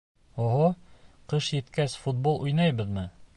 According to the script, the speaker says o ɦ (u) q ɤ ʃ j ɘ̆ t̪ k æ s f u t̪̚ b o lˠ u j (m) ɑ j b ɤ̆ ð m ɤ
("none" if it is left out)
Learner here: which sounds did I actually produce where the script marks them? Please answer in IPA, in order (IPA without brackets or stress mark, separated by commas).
o, n